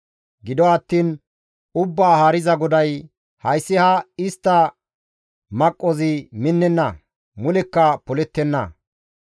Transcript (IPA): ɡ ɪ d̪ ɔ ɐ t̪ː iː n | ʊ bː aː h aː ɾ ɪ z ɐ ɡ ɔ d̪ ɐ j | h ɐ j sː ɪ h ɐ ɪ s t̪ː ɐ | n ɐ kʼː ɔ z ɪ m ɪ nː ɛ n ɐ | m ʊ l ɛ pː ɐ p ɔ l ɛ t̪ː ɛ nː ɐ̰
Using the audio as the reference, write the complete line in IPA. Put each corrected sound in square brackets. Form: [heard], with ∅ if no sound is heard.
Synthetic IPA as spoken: ɡ ɪ d̪ ɔ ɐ t̪ː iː n | ʊ bː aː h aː ɾ ɪ z ɐ ɡ ɔ d̪ ɐ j | h ɐ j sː ɪ h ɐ ɪ s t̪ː ɐ | [m] ɐ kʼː ɔ z ɪ m ɪ nː ɛ [nː] ɐ | m ʊ l ɛ [kː] ɐ p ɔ l ɛ t̪ː ɛ nː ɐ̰